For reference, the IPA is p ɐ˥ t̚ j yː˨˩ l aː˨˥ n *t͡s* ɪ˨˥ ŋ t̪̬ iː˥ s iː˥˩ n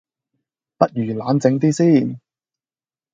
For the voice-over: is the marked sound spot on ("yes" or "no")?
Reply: yes